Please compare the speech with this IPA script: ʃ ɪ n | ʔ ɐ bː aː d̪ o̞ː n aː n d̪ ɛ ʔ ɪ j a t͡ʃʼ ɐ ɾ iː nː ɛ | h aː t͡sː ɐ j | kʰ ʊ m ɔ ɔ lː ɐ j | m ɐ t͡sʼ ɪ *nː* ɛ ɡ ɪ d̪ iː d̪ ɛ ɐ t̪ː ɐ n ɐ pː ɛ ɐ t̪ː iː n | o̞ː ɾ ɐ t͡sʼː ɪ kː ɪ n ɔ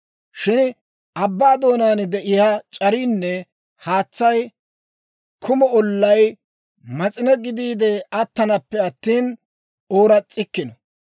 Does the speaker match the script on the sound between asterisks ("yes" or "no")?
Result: no